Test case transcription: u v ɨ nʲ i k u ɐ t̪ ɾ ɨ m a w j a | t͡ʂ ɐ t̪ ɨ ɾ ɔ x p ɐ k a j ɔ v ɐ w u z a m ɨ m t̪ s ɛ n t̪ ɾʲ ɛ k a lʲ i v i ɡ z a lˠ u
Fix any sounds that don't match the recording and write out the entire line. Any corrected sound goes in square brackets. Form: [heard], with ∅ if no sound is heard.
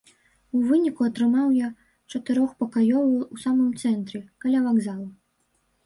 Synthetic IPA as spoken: u v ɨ nʲ i k u ɐ t̪ ɾ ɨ m a w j a | t͡ʂ ɐ t̪ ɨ ɾ ɔ x p ɐ k a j ɔ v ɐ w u [s] a m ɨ m t̪ s ɛ n t̪ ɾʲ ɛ k a lʲ [a] v [a] ɡ z a lˠ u